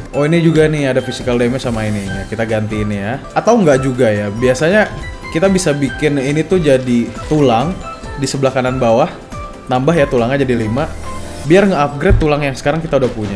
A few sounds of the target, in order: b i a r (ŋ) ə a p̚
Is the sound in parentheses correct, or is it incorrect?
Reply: correct